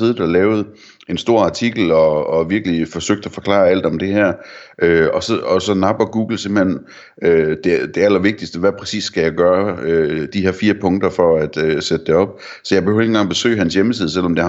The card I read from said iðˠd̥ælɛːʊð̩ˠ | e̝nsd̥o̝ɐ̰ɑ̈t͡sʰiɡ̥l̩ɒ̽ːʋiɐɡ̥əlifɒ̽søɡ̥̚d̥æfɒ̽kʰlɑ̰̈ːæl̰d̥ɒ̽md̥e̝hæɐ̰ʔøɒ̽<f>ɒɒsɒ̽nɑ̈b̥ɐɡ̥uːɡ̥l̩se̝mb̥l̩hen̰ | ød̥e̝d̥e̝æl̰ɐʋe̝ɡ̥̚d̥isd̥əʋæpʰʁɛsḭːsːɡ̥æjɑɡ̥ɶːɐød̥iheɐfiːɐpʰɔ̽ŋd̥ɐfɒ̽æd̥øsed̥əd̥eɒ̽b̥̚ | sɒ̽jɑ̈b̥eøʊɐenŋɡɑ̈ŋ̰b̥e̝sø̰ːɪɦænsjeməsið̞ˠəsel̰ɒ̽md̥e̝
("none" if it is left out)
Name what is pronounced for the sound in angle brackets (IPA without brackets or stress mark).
s